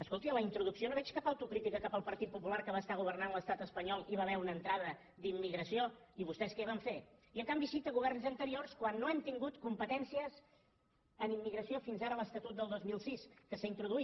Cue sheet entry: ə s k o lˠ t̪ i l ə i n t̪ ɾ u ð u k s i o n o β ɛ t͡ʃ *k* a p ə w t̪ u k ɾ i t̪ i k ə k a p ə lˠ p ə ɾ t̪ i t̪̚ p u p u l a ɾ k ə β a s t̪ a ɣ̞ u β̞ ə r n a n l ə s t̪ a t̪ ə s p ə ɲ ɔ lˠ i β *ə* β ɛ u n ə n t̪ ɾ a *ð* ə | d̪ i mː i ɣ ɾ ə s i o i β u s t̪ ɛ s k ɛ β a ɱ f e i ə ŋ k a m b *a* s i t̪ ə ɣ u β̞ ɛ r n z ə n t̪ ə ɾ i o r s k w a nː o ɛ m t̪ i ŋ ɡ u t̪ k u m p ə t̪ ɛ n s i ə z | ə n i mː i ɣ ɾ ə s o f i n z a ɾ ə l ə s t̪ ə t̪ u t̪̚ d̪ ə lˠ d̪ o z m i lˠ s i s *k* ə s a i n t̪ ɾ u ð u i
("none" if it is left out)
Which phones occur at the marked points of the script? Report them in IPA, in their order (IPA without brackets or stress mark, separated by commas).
k, a, ð, i, k